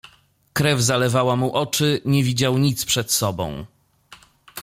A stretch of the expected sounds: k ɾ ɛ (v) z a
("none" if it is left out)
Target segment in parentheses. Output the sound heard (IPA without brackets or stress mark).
v